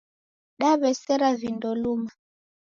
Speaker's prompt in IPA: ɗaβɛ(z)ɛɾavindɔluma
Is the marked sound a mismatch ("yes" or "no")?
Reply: yes